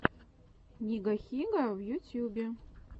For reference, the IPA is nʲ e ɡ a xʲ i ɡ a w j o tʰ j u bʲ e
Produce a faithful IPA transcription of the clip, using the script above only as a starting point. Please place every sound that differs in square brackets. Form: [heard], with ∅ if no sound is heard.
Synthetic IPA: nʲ [i] ɡ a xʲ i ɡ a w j [u] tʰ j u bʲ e